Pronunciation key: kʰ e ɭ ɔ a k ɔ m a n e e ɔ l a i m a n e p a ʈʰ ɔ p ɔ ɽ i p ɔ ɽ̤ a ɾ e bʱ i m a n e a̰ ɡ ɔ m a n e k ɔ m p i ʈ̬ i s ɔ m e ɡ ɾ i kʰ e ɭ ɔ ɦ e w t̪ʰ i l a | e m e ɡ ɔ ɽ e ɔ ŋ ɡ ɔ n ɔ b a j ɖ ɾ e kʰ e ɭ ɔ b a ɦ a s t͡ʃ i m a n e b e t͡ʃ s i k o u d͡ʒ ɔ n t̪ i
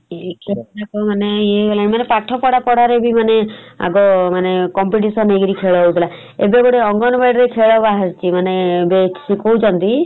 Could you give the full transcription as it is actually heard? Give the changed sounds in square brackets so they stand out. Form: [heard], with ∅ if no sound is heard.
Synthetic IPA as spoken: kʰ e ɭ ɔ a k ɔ m a n e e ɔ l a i m a n e p a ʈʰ ɔ p ɔ ɽ [a] p ɔ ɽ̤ a ɾ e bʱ i m a n e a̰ ɡ ɔ m a n e k ɔ m p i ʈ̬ i s ɔ [n] e ɡ ɾ i kʰ e ɭ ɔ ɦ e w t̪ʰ i l a | e [b] e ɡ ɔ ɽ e ɔ ŋ ɡ ɔ n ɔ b a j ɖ ɾ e kʰ e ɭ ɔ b a ɦ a s t͡ʃ i m a n e b e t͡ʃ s i k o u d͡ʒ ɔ n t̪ i